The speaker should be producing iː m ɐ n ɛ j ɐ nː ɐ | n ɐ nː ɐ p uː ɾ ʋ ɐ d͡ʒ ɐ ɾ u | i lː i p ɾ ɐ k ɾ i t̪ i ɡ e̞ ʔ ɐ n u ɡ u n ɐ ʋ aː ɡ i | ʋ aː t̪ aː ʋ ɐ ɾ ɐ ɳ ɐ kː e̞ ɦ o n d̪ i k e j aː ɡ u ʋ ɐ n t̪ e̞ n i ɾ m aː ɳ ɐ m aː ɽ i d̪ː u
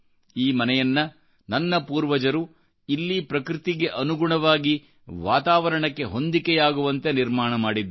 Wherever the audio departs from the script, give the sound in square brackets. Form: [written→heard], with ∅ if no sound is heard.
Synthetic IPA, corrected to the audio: iː m ɐ n ɛ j ɐ nː ɐ | n ɐ nː ɐ p uː ɾ ʋ ɐ d͡ʒ ɐ ɾ u | i lː i p ɾ ɐ k ɾ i t̪ i ɡ e̞ ʔ ɐ n u ɡ u [n→ɳ] ɐ ʋ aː ɡ i | ʋ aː t̪ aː ʋ ɐ ɾ ɐ ɳ ɐ kː e̞ ɦ o n d̪ i k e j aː ɡ u ʋ ɐ n t̪ e̞ n i ɾ m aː ɳ ɐ m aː ɽ i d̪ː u